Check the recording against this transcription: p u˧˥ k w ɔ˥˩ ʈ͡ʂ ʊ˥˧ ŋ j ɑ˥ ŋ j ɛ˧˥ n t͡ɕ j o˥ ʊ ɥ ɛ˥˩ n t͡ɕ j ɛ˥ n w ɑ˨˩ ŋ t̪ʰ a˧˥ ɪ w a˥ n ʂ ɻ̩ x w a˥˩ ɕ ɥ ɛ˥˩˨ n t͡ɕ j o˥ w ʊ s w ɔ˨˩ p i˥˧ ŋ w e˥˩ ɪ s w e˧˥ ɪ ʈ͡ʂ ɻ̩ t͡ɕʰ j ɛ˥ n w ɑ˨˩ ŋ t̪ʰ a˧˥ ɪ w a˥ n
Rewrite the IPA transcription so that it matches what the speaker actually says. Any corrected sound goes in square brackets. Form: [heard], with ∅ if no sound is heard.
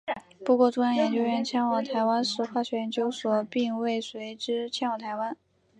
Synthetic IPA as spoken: p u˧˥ k w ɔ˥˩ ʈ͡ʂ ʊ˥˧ ŋ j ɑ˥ ŋ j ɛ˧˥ n t͡ɕ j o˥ ʊ ɥ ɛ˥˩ n [t͡ɕʰ] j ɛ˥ n w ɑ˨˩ ŋ t̪ʰ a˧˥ ɪ w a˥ n ʂ ɻ̩ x w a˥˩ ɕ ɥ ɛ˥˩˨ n t͡ɕ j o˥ [∅] ʊ s w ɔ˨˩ p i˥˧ ŋ w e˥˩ ɪ s w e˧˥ ɪ ʈ͡ʂ ɻ̩ t͡ɕʰ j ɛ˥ n w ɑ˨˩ ŋ t̪ʰ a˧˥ ɪ w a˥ n